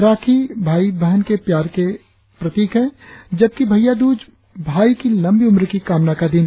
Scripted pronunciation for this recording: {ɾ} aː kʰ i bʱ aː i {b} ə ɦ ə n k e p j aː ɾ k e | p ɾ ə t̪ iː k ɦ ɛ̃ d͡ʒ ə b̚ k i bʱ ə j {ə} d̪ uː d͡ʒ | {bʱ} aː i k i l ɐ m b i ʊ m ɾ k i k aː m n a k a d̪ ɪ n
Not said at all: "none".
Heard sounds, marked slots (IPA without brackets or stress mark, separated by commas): ɾ, b, a, bʱ